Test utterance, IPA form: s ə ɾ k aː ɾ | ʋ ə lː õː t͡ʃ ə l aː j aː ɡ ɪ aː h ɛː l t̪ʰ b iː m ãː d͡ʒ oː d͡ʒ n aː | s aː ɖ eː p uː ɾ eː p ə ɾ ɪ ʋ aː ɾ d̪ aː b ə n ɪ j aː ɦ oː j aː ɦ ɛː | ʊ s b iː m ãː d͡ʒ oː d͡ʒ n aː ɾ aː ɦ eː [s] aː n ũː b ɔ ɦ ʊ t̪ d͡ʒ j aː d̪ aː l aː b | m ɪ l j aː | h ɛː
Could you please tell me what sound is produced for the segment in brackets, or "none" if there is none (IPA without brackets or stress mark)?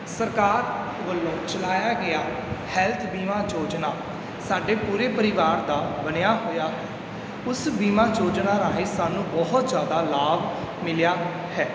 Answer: s